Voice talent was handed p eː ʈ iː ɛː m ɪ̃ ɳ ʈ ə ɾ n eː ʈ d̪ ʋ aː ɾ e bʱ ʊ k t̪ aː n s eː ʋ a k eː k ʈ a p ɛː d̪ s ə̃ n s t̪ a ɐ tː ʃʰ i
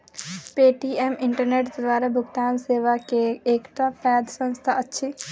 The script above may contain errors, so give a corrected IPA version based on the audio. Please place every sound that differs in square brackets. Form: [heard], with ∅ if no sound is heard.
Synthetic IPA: p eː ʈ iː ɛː m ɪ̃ ɳ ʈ ə ɾ n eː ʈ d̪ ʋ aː ɾ [a] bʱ ʊ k t̪ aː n s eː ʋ a k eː k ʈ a p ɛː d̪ s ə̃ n s [t̪ʰ] a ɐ tː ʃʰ i